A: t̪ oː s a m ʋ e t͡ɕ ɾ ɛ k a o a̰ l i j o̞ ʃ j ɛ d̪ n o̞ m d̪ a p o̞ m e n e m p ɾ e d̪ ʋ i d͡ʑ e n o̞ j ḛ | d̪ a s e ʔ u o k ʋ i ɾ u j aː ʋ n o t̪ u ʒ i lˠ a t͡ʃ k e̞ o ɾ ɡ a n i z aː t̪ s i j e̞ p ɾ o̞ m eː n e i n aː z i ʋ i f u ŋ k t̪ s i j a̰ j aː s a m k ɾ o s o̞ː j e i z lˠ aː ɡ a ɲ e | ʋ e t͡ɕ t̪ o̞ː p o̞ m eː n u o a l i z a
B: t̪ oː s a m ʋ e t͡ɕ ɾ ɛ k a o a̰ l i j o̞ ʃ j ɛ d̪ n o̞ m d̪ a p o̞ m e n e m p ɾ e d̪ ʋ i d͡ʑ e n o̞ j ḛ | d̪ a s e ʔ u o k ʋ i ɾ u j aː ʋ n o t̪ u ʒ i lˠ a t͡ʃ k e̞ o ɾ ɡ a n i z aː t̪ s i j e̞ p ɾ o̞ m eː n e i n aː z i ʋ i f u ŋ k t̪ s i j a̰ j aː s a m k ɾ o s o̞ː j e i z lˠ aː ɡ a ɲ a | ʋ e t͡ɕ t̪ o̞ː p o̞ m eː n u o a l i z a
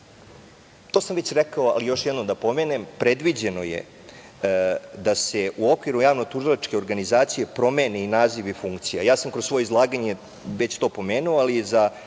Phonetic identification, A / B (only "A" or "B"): A